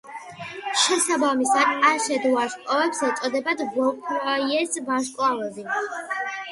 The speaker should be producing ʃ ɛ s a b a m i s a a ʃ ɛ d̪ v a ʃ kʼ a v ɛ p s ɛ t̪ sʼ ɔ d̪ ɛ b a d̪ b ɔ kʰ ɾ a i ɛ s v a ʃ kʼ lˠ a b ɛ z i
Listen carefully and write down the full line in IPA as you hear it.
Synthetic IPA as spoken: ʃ ɛ s a b a m i s a a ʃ ɛ d̪ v a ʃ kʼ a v ɛ p s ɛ t̪ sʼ ɔ d̪ ɛ b a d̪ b ɔ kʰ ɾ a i ɛ s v a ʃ kʼ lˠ a v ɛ z i